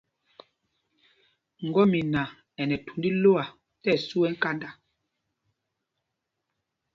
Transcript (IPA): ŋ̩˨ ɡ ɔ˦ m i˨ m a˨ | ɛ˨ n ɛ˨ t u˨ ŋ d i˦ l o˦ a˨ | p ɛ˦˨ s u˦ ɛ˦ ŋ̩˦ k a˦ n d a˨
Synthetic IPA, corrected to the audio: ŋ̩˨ ɡ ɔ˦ m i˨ n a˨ | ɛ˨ n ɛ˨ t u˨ n d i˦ l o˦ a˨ | t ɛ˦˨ s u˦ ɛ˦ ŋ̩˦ k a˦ n d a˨